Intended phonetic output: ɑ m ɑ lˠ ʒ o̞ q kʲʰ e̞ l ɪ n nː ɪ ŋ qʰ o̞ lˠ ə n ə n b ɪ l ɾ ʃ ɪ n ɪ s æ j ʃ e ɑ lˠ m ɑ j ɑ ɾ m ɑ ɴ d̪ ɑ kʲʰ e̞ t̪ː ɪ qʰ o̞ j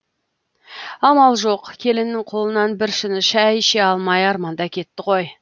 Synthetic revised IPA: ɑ m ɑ lˠ ʒ o̞ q kʲʰ e̞ l ɪ n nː ɪ ŋ qʰ o̞ lˠ ə n ɑ n b ɪ ɾ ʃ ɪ n ɪ ʃ æ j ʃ e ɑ lˠ m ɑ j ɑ ɾ m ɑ n d̪ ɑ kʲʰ e̞ t̪ː ɪ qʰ o̞ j